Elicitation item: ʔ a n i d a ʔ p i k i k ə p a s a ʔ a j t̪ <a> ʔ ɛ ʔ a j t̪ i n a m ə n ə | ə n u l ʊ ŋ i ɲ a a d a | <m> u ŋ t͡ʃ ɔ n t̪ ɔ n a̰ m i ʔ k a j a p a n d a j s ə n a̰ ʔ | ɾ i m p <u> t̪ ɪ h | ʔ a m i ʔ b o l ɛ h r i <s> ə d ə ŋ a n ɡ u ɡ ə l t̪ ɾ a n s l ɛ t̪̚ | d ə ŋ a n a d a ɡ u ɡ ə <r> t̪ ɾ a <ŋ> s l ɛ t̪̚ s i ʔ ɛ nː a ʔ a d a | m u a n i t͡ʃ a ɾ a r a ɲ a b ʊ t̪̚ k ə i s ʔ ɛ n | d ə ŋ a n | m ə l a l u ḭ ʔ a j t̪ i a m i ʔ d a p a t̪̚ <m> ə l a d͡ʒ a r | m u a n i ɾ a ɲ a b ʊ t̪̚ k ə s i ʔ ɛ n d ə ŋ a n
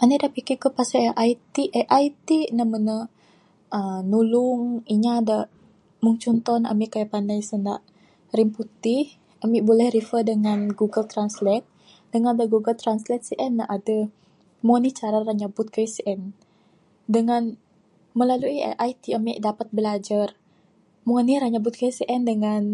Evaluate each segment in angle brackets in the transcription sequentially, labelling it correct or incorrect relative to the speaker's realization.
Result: incorrect: i, correct, correct, incorrect: f, incorrect: l, incorrect: n, incorrect: b

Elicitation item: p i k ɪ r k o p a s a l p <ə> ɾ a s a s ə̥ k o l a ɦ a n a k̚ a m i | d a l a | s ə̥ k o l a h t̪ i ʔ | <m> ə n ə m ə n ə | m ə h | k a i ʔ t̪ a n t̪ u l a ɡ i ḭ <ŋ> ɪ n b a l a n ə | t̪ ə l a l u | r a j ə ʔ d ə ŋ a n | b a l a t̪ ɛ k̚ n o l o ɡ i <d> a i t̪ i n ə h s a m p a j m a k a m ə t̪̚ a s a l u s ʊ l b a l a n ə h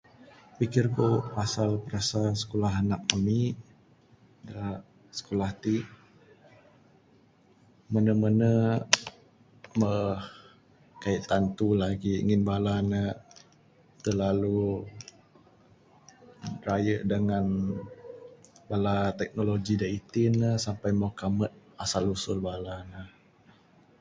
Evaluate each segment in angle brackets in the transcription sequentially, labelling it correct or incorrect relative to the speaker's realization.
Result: correct, correct, correct, correct

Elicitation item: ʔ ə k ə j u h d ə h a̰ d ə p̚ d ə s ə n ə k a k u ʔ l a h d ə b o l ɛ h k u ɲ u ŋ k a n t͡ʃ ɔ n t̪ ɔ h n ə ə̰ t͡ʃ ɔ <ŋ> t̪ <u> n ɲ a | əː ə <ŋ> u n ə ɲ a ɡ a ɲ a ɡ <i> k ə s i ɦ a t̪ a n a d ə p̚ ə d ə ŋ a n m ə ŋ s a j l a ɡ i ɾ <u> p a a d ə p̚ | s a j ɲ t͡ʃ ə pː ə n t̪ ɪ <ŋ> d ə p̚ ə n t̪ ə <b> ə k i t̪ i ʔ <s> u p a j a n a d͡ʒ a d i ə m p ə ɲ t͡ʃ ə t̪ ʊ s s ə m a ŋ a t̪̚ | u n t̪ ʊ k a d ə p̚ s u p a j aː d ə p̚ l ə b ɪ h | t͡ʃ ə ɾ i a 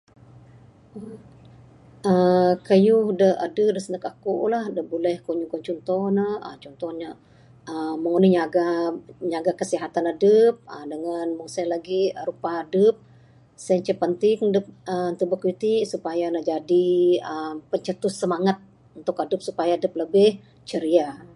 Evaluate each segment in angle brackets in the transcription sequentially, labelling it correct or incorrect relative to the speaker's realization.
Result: incorrect: n, incorrect: ɔ, correct, incorrect: a, correct, correct, correct, correct

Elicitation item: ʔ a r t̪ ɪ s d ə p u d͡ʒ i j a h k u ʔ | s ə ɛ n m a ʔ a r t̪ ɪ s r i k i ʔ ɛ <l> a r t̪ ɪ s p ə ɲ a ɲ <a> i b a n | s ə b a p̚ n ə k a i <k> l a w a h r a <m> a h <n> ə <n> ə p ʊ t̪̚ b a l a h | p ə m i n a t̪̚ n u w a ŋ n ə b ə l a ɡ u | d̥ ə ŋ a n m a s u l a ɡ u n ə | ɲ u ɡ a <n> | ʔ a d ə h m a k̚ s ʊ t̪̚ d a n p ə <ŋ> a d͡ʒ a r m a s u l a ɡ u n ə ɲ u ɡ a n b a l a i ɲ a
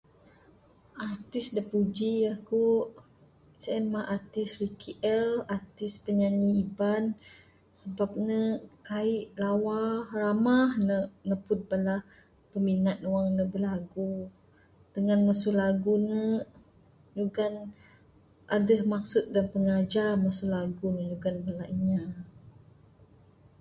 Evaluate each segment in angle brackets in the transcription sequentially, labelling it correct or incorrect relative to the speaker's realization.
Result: correct, incorrect: i, incorrect: ʔ, correct, correct, correct, correct, correct

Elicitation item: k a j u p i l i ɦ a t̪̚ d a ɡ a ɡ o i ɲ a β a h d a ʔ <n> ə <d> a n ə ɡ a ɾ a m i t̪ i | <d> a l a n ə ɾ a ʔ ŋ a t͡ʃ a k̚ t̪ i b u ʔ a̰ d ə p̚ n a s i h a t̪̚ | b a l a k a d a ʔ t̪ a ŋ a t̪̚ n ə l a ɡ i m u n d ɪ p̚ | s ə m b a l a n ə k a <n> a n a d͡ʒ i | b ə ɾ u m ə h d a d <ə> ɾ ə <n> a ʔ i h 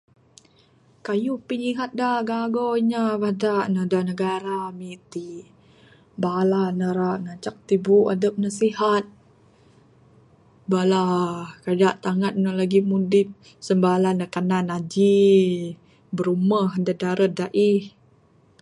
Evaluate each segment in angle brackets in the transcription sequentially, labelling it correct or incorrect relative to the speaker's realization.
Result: correct, correct, incorrect: b, correct, incorrect: a, incorrect: d

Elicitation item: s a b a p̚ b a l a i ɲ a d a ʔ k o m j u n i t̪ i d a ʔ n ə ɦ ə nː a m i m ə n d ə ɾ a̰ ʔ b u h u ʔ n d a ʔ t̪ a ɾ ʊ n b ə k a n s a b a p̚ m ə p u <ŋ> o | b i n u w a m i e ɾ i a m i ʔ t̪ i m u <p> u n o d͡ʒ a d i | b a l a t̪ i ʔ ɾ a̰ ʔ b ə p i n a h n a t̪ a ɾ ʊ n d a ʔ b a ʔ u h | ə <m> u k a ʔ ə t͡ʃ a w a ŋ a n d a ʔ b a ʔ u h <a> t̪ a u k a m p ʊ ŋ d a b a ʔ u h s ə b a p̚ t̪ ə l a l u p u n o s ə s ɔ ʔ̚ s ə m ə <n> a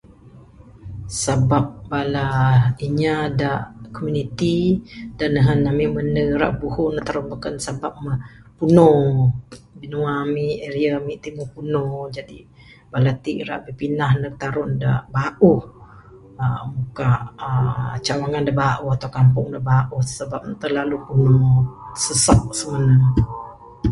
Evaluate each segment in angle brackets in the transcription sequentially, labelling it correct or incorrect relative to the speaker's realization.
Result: incorrect: n, correct, correct, correct, correct

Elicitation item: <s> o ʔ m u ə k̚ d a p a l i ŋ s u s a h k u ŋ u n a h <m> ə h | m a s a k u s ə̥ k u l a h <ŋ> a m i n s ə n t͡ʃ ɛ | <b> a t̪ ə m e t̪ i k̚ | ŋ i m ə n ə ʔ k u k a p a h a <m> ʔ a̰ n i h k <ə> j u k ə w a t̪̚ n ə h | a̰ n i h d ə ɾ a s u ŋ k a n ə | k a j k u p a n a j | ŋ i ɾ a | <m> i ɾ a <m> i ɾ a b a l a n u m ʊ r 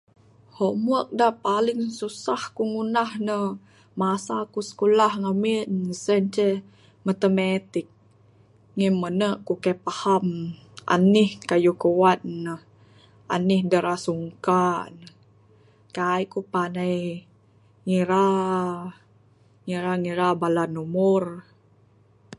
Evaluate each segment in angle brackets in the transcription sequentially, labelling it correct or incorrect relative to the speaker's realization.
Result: incorrect: h, incorrect: n, correct, incorrect: m, correct, incorrect: a, incorrect: ŋ, incorrect: ŋ

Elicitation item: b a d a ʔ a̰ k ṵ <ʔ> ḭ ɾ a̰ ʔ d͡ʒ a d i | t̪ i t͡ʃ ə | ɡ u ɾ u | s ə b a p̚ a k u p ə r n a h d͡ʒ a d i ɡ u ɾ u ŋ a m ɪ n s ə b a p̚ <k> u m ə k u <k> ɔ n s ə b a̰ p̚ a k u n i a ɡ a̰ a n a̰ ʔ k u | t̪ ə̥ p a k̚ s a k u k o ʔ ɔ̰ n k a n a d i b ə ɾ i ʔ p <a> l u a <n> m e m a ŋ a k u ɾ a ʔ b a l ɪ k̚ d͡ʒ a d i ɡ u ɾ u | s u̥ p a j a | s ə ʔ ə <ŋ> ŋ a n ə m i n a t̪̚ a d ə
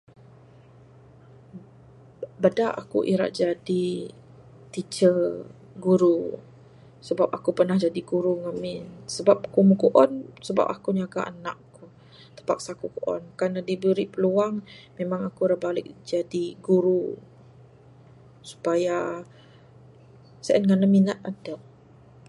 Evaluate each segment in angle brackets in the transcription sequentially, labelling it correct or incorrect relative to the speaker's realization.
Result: correct, correct, incorrect: ʔ, incorrect: ə, incorrect: ŋ, incorrect: n

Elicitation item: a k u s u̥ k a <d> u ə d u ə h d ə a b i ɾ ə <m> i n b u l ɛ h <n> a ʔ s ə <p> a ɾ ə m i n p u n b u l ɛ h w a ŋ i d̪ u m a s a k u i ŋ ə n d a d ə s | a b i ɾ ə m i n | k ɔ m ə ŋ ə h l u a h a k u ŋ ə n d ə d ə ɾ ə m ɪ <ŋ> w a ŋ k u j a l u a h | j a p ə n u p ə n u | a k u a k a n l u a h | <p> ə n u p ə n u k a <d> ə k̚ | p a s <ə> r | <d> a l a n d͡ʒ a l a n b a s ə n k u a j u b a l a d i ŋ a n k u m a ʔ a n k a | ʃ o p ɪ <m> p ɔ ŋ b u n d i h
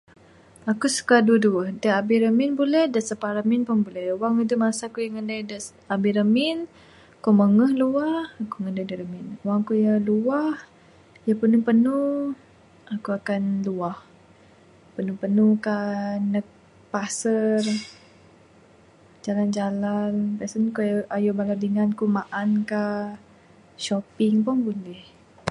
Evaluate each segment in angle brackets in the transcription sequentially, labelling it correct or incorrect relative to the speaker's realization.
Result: correct, correct, incorrect: d, correct, incorrect: n, correct, incorrect: n, correct, incorrect: d͡ʒ, incorrect: ŋ

